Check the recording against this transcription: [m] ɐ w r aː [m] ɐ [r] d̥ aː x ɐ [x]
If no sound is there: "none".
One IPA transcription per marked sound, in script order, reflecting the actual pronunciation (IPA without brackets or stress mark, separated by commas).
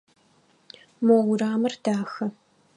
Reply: m, m, r, none